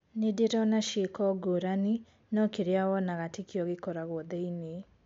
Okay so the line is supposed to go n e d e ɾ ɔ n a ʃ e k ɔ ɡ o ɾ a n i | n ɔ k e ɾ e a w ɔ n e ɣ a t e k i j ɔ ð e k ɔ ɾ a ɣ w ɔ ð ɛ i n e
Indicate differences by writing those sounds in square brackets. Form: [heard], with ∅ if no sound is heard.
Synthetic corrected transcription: n e d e ɾ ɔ n a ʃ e k ɔ ɡ o ɾ a n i | n ɔ k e ɾ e a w ɔ n [a] ɣ a t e k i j ɔ [ɣ] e k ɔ ɾ a ɣ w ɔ ð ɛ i n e